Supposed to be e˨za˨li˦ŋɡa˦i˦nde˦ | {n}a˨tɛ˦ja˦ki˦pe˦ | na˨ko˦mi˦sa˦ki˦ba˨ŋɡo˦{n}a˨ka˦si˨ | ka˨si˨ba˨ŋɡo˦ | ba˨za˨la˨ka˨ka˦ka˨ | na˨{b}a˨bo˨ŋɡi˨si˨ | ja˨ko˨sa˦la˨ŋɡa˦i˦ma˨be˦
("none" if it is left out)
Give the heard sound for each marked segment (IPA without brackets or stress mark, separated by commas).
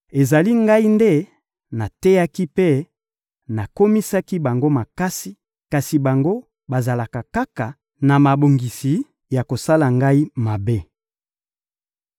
n, m, m